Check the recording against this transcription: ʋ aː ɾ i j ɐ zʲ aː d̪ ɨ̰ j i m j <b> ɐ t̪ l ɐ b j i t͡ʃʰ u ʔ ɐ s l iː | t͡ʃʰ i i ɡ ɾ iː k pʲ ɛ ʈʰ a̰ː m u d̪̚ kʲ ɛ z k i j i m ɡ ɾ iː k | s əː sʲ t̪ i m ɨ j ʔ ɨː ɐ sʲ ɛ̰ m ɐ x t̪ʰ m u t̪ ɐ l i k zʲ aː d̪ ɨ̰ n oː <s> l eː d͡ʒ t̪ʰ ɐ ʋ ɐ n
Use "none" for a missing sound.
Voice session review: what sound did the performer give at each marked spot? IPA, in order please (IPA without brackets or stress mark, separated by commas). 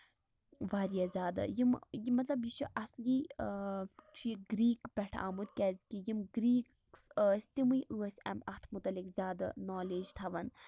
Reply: m, none